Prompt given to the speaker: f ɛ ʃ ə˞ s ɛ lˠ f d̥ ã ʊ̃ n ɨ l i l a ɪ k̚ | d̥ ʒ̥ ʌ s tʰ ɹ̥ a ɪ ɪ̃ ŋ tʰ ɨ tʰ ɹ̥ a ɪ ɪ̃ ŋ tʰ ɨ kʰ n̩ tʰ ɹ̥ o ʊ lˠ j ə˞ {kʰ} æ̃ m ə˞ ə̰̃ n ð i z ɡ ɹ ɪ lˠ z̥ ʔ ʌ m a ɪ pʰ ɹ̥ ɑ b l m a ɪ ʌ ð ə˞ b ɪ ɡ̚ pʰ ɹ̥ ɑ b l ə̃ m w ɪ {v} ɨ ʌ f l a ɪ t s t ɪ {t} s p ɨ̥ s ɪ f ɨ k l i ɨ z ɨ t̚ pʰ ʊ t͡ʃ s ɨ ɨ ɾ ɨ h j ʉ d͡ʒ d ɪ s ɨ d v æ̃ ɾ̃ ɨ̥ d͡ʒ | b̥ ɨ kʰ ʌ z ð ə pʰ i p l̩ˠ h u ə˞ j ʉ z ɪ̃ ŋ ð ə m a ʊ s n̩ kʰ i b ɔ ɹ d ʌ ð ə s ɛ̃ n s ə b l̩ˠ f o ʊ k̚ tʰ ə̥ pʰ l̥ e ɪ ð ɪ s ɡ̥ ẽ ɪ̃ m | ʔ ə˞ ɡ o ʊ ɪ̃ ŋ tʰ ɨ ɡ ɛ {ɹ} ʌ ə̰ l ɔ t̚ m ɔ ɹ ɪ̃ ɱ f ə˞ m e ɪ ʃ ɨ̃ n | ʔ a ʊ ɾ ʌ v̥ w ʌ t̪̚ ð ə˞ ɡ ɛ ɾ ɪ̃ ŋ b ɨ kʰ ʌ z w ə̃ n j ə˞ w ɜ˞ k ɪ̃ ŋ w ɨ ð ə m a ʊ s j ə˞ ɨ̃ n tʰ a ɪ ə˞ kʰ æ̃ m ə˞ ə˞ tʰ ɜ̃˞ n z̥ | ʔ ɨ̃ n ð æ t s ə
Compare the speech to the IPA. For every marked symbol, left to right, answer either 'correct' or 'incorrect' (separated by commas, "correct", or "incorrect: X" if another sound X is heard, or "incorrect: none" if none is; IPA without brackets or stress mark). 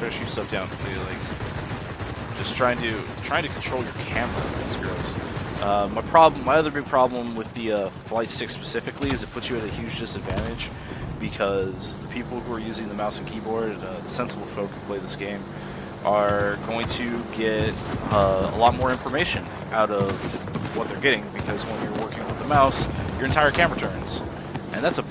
correct, incorrect: ð, incorrect: k, incorrect: ɾ